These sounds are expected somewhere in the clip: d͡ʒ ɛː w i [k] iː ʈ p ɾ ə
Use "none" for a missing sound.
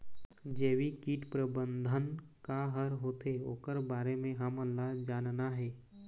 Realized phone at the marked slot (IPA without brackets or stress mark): k